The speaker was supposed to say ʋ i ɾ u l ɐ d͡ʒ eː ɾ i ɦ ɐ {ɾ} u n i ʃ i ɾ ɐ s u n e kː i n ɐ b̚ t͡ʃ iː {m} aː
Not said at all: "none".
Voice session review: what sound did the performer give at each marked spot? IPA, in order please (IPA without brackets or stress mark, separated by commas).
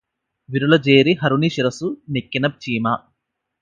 ɾ, m